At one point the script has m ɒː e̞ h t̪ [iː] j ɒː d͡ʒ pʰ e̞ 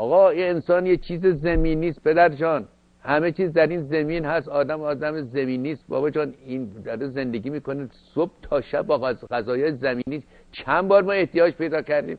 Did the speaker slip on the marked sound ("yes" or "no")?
yes